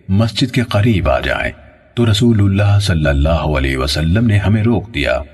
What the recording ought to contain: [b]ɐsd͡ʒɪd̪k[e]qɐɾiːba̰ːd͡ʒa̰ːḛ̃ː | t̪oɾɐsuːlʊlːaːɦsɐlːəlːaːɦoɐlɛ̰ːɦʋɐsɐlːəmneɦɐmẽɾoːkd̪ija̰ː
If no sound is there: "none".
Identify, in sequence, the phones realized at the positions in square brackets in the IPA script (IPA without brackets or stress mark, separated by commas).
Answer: m, e